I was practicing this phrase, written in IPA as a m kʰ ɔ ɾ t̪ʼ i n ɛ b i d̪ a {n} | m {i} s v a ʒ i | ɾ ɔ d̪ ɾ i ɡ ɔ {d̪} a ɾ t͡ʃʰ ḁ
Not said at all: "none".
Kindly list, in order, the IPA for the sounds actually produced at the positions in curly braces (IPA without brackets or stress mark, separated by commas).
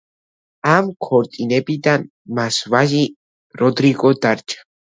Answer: n, a, d̪